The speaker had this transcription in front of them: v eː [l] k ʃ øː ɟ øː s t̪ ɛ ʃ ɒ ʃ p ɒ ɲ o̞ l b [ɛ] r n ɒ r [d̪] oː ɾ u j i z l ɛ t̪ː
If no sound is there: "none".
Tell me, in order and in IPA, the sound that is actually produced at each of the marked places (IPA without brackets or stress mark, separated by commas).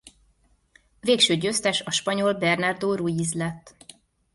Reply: none, ɛ, d̪